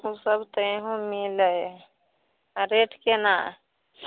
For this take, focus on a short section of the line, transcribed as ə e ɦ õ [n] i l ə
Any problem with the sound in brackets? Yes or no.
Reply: yes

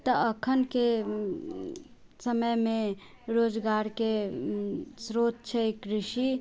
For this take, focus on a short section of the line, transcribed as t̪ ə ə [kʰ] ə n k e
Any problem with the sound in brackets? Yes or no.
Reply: no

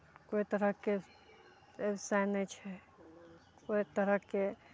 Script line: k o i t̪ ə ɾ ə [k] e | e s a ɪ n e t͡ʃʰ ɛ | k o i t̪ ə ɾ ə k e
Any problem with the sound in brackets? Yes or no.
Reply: no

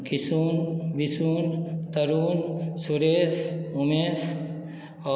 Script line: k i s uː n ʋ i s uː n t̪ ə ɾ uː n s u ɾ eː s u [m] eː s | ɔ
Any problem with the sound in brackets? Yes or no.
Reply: no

